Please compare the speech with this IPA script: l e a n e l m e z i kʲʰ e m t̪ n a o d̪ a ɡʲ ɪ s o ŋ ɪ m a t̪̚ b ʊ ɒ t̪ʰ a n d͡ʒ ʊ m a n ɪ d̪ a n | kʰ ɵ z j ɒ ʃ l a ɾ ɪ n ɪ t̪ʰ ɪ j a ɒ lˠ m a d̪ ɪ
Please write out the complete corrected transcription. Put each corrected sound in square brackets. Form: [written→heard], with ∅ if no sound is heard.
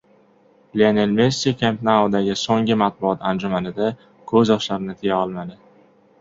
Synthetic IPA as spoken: l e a n e l m e [z→s] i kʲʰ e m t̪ n a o d̪ a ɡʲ ɪ s o ŋ ɪ m a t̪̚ b ʊ ɒ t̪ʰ a n d͡ʒ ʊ m a n ɪ d̪ a [n→∅] | kʰ ɵ z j ɒ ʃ l a ɾ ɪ n ɪ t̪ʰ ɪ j a ɒ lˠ m a d̪ ɪ